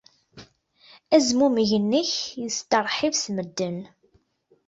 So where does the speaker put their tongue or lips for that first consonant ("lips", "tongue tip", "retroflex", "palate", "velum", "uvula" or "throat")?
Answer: tongue tip